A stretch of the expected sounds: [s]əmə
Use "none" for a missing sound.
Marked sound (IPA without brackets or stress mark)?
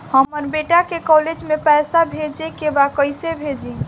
h